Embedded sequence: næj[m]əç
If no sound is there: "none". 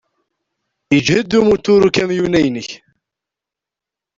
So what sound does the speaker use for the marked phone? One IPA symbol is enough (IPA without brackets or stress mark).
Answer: n